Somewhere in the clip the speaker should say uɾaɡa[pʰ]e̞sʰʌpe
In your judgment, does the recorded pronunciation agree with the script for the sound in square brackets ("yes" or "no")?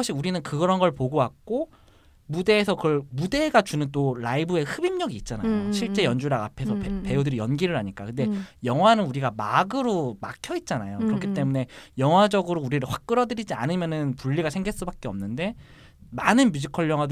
yes